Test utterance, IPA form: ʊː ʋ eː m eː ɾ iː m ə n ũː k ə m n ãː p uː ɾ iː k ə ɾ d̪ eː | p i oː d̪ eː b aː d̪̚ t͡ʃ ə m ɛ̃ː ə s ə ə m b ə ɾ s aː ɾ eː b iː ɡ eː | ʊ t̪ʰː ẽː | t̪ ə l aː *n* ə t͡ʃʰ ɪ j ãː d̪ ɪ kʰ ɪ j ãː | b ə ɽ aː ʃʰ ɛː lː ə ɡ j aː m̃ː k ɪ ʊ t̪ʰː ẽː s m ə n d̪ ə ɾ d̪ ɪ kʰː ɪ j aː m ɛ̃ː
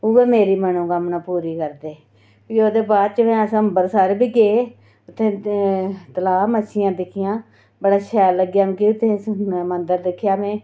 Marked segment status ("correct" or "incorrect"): incorrect